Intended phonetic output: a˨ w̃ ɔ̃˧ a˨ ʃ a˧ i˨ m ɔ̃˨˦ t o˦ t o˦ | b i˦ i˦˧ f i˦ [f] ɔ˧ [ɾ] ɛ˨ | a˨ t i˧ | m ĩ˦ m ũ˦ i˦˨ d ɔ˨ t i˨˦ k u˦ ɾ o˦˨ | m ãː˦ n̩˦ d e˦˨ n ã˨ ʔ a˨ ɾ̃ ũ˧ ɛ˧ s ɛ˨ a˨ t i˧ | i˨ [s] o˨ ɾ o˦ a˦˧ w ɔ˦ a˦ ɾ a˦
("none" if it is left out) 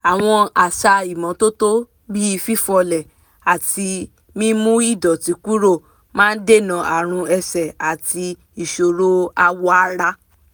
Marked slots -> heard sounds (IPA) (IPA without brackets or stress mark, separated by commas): f, l, ʃ